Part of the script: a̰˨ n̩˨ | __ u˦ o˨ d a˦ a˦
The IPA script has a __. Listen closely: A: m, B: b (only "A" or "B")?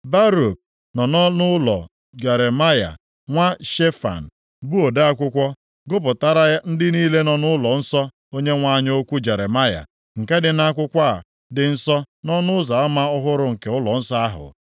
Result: B